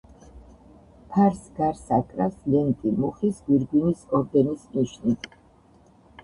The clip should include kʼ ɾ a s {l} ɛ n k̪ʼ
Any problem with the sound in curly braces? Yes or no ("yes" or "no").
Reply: no